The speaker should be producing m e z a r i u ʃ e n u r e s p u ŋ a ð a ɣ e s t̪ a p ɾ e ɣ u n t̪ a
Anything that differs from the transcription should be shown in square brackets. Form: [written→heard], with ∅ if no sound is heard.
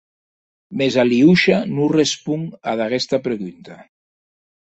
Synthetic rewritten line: m e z a [r→l] i u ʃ [e→a] n u r e s p u ŋ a ð a ɣ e s t̪ a p ɾ e ɣ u n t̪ a